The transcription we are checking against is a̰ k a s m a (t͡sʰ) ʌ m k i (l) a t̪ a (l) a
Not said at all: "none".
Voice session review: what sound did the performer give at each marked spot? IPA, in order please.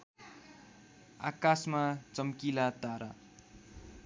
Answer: t͡s, l, ɾ

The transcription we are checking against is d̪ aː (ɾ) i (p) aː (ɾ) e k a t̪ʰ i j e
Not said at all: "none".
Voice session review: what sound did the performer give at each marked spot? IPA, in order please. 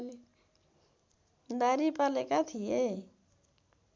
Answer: ɾ, p, l

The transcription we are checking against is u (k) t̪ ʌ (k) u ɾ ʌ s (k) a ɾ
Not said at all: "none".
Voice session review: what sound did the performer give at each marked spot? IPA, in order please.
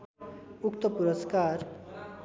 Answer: k, p, k

